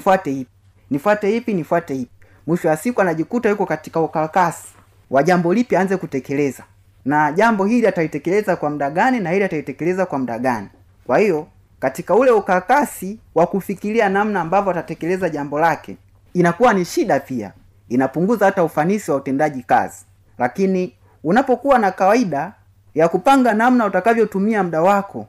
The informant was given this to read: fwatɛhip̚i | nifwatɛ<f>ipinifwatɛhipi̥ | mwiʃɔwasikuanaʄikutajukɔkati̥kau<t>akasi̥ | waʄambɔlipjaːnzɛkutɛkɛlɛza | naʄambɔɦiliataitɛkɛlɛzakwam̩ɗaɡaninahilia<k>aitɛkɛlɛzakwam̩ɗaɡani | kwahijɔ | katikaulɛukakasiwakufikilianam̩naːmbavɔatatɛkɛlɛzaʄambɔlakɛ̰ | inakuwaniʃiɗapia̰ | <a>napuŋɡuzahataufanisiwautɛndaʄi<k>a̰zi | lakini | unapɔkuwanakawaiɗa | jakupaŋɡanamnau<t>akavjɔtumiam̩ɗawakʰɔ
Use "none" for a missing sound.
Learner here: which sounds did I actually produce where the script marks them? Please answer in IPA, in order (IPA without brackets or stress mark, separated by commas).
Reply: h, k, t, i, k, t